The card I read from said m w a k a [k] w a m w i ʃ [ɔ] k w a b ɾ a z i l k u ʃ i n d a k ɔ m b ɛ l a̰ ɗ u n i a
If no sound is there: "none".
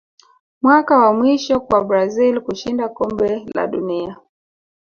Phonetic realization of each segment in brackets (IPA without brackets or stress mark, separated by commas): none, ɔ